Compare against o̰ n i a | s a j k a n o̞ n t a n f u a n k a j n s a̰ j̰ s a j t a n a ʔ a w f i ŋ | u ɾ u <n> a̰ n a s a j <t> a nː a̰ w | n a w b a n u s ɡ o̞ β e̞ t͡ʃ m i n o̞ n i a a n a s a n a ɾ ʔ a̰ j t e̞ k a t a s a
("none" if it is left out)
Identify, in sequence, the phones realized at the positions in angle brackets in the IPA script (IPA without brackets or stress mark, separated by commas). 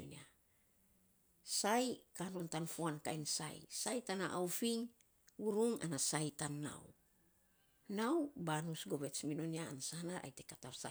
ŋ, t